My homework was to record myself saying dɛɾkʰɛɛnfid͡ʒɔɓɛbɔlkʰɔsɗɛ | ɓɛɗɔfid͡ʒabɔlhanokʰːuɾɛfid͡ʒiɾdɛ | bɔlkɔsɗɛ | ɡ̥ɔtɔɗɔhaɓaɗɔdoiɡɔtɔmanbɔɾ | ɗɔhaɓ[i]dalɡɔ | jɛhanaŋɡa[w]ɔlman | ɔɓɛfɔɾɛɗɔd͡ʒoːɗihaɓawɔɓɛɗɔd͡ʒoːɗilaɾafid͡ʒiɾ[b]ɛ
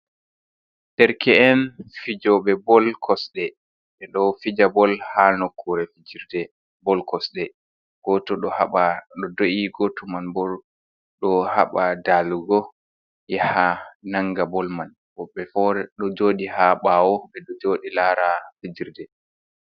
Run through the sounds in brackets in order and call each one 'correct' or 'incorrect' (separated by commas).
incorrect, incorrect, incorrect